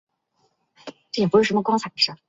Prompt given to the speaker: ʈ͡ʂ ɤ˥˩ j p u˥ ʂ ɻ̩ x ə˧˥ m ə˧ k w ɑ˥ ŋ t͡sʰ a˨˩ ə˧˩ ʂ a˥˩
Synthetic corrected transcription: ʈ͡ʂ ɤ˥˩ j p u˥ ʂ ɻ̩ ʂ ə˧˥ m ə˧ k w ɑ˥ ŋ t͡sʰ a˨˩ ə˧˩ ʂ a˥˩